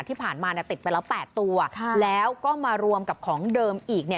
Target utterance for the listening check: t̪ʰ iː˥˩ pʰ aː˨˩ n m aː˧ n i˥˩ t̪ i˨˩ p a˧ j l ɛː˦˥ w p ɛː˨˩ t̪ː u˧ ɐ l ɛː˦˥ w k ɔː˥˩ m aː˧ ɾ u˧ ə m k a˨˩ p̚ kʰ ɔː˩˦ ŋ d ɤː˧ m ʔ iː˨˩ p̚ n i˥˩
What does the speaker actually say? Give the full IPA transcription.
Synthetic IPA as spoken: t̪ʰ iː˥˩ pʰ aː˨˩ n m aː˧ n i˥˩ t̪ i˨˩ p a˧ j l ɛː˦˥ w p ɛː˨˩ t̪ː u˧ ɐ l ɛː˦˥ w k ɔː˥˩ m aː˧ ɾ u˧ ə m k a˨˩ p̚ kʰ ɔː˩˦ ŋ d ɤː˧ m ʔ iː˨˩ k̚ n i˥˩